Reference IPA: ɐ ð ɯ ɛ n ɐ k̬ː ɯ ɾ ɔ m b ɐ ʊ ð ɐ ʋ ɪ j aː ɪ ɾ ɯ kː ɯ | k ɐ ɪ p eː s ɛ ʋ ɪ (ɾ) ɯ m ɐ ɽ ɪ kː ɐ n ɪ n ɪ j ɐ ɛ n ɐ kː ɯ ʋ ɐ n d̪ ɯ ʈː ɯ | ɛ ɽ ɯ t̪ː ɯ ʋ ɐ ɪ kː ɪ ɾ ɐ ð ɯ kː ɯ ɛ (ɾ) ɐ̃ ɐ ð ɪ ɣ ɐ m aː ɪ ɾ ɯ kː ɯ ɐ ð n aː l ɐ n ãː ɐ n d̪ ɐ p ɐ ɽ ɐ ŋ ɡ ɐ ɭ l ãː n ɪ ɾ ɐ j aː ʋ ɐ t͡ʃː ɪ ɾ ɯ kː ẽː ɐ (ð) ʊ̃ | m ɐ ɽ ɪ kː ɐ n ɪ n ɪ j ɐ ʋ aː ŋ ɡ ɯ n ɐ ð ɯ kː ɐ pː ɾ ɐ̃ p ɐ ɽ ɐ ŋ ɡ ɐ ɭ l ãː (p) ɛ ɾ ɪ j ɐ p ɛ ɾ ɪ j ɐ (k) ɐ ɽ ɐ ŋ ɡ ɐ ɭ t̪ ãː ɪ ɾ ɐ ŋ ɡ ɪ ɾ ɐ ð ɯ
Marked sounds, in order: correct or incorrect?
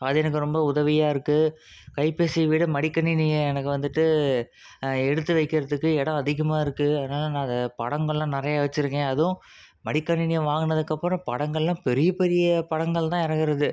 incorrect: ɽ, incorrect: ɽ, correct, correct, incorrect: p

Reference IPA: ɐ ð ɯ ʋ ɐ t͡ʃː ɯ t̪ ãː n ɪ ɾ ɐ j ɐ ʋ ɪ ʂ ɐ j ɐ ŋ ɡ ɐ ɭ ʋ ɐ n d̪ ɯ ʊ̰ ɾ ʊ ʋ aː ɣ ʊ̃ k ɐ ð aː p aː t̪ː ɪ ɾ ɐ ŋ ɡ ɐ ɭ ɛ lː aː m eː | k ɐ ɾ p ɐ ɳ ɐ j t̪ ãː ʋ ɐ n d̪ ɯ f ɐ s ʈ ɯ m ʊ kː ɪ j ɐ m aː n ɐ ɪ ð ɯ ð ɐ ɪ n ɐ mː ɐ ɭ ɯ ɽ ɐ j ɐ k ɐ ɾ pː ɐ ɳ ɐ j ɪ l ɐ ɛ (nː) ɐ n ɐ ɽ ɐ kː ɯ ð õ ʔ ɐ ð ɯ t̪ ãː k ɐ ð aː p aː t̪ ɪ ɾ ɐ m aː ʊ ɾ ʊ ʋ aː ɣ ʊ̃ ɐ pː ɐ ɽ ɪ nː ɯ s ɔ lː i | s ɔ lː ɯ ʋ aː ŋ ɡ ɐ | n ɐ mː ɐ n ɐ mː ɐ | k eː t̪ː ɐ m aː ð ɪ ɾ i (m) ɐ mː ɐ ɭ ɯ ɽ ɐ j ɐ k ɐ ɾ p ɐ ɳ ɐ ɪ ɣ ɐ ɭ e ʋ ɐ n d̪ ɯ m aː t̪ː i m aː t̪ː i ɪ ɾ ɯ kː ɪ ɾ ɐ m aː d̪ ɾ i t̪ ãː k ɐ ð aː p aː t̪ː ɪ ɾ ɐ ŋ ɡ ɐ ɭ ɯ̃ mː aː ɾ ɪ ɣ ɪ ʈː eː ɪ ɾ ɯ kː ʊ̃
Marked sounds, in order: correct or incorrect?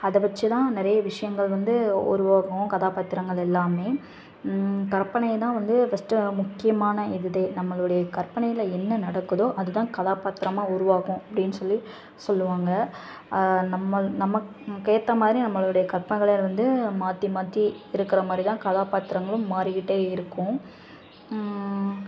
correct, incorrect: n

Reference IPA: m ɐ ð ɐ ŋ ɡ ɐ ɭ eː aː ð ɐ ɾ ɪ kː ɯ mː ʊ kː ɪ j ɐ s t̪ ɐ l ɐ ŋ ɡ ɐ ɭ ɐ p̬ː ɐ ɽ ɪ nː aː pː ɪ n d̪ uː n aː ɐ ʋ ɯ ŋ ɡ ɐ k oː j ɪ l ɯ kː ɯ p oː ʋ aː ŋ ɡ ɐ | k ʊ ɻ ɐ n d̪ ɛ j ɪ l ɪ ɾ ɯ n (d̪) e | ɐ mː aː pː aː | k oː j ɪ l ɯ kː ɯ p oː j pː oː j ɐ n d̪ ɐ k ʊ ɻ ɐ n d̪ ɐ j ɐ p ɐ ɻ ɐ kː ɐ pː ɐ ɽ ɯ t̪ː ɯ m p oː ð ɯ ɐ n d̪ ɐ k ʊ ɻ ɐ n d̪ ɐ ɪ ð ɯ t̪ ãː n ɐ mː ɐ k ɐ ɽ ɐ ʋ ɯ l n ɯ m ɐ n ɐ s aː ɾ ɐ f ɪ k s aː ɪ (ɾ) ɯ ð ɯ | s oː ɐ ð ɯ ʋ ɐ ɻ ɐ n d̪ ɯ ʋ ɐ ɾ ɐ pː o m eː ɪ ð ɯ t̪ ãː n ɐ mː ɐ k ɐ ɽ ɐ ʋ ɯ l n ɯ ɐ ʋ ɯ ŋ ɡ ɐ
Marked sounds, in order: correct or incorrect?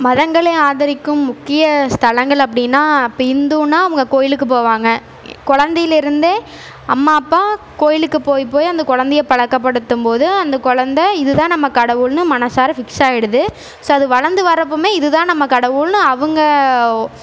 correct, incorrect: ɽ

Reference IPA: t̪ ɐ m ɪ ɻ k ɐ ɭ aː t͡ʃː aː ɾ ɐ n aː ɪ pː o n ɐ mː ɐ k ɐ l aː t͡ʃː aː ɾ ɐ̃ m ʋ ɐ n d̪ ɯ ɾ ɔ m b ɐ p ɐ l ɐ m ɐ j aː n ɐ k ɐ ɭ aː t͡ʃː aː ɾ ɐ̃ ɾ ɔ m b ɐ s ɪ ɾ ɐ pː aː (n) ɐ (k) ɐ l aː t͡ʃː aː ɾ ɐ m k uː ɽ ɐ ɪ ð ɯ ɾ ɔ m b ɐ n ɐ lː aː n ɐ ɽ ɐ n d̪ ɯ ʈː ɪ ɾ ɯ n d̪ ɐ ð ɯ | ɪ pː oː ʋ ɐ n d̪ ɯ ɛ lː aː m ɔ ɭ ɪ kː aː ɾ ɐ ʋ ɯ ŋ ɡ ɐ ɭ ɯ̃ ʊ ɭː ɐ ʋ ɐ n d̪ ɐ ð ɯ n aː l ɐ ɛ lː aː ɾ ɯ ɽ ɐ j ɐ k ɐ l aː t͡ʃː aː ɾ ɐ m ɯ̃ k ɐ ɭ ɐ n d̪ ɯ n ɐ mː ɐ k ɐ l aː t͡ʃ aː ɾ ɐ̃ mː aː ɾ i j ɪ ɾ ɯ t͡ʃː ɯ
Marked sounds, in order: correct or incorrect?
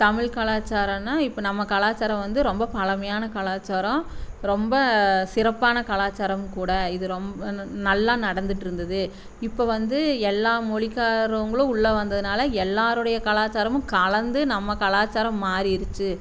correct, correct

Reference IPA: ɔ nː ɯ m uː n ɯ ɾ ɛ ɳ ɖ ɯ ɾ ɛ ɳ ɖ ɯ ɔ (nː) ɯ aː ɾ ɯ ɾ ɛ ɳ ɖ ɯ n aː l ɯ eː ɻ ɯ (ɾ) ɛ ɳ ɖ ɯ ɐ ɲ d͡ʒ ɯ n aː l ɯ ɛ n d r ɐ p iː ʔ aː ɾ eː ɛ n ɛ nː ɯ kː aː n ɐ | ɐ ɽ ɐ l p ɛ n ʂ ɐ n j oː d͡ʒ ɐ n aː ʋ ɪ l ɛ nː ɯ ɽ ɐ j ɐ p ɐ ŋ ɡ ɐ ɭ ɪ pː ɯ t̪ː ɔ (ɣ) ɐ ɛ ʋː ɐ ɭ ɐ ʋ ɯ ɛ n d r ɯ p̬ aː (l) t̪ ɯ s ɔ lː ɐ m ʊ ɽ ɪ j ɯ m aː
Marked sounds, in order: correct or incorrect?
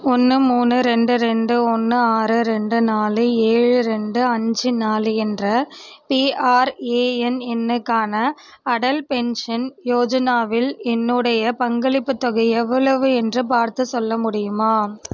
correct, correct, correct, incorrect: ɾ

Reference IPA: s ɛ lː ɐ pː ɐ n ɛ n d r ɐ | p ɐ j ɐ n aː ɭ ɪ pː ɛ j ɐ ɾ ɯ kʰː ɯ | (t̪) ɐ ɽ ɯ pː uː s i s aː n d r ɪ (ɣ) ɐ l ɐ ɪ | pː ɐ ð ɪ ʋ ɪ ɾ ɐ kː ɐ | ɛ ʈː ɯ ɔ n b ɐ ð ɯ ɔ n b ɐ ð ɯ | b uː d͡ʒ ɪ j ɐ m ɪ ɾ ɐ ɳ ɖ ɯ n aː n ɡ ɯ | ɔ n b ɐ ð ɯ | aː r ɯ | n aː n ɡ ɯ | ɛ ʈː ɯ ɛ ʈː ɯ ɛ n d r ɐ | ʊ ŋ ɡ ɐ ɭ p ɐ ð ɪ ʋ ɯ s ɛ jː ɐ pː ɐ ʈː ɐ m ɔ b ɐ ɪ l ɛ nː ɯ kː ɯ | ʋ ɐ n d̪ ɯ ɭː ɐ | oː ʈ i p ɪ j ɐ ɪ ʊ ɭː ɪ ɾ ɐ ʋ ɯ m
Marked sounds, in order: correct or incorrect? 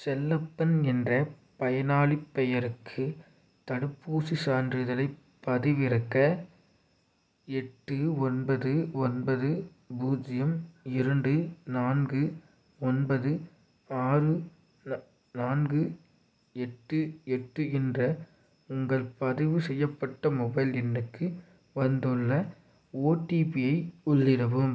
correct, incorrect: ð

